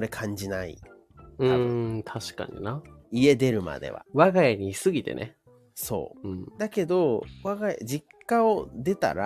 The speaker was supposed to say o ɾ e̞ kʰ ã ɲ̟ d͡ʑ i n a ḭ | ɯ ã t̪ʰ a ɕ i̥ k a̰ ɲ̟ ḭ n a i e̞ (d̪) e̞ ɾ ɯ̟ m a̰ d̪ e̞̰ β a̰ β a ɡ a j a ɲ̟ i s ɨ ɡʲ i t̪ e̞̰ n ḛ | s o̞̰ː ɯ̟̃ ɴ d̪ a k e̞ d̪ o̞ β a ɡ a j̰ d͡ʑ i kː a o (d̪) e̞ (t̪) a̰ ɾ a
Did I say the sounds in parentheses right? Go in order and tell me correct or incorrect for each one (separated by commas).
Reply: correct, correct, correct